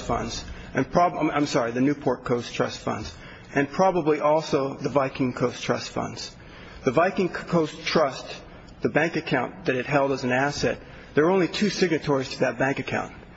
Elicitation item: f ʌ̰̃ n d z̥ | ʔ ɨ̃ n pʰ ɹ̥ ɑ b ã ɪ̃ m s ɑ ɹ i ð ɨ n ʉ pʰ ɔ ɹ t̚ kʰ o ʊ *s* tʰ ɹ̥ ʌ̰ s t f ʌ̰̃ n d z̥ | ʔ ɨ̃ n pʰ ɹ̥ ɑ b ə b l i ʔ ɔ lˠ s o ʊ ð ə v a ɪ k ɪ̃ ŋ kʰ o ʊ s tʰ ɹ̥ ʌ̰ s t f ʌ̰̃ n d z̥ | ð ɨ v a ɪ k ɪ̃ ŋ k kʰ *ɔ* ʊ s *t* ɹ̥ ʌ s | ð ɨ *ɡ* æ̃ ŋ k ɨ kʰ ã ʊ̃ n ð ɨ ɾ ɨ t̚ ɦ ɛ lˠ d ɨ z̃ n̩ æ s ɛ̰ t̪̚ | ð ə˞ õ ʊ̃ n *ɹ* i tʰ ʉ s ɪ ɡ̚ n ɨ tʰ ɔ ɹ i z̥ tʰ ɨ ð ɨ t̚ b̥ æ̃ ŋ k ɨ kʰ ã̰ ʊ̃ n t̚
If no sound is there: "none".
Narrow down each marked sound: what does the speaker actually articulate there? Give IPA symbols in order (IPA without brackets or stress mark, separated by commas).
s, o, tʰ, b, l